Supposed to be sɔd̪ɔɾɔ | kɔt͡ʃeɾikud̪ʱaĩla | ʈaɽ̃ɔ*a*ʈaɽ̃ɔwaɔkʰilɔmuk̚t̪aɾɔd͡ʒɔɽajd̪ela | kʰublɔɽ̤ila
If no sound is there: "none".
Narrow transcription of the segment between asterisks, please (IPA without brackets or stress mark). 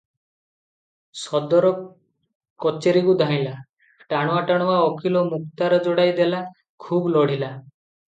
a